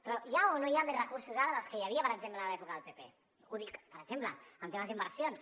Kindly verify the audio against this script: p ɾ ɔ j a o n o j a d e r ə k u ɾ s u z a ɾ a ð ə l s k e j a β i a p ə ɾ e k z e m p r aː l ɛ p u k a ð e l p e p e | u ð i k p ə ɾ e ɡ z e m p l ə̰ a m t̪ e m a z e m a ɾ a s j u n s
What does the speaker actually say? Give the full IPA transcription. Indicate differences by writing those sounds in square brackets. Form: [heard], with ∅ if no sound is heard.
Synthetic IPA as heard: p ɾ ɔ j a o n o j a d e r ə k u ɾ s u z a ɾ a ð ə l s k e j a β i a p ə ɾ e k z e m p [l] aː l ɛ p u k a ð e l p e p e | u ð i k p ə ɾ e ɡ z e m p l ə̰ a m t̪ e m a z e m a ɾ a s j [o] n s